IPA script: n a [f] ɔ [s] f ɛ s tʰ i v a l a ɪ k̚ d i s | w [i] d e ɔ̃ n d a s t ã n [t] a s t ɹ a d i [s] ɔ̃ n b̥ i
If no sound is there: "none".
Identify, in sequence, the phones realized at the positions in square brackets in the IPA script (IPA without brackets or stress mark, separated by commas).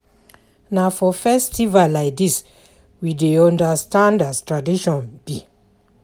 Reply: f, none, i, d, ʃ